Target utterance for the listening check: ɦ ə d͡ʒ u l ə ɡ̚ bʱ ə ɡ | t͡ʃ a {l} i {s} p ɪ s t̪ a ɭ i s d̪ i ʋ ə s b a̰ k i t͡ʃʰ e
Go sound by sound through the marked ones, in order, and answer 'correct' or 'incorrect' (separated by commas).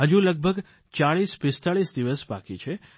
incorrect, correct